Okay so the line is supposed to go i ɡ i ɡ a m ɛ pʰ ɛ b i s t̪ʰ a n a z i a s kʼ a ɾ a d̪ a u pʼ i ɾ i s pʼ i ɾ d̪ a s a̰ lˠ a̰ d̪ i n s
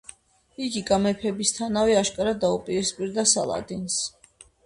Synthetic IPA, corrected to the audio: i ɡ i ɡ a m ɛ pʰ ɛ b i s t̪ʰ a n a v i a ʃ kʼ a ɾ a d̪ a u pʼ i ɾ i s pʼ i ɾ d̪ a s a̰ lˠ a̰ d̪ i n s